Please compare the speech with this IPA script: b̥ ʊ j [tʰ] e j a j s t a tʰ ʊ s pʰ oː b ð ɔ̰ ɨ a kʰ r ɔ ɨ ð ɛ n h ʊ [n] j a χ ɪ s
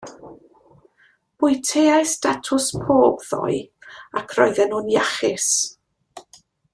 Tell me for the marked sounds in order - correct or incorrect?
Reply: correct, correct

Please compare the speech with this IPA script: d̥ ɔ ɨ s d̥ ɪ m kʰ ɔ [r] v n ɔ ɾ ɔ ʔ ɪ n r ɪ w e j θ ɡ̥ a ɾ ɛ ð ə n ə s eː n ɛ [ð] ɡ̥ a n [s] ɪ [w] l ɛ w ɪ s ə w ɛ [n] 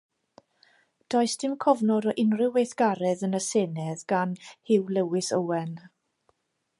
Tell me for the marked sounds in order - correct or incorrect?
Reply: incorrect, correct, incorrect, correct, correct

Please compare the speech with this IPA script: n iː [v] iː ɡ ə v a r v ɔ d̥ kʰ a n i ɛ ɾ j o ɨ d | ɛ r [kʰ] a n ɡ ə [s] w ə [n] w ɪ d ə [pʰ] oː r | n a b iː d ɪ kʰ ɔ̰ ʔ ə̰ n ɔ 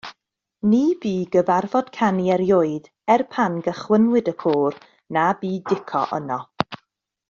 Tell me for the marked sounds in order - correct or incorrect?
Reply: incorrect, incorrect, incorrect, correct, incorrect

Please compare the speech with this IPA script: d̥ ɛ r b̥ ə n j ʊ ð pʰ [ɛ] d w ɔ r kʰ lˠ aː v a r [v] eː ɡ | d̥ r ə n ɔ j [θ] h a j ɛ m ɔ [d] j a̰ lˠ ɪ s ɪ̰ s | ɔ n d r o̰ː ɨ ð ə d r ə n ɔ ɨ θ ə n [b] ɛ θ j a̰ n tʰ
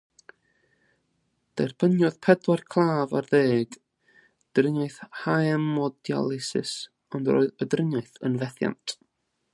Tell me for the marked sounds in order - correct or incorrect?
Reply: correct, incorrect, correct, correct, incorrect

